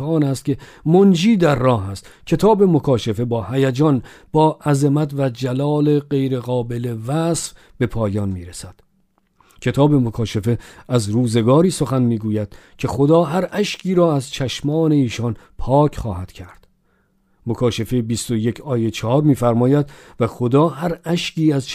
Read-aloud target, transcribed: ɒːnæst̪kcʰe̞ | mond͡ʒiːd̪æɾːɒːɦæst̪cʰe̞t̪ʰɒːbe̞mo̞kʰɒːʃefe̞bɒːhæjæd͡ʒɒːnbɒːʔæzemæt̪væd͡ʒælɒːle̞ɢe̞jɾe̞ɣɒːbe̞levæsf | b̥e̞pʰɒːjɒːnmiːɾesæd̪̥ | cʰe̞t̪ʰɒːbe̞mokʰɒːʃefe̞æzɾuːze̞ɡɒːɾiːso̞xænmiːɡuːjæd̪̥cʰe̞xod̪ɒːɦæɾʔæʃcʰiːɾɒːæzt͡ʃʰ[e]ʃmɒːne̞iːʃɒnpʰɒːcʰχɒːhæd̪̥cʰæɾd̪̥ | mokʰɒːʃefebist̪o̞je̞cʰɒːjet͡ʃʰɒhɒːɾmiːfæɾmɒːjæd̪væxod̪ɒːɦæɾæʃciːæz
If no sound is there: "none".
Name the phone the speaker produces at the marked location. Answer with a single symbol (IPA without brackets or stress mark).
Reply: æ